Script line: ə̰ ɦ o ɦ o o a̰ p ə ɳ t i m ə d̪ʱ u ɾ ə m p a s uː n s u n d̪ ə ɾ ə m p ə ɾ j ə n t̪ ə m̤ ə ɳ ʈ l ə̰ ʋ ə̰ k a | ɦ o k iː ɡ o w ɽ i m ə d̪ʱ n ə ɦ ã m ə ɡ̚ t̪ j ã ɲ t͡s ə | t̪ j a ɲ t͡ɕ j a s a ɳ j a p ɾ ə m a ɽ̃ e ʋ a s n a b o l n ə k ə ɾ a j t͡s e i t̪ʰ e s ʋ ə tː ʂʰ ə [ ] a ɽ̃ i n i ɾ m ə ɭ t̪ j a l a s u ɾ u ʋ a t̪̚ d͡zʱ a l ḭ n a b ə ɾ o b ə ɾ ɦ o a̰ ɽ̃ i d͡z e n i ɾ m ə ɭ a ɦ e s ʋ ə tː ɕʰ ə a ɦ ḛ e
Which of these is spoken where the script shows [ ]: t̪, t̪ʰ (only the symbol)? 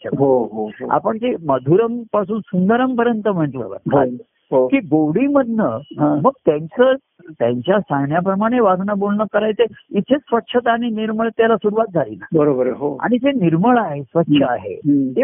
t̪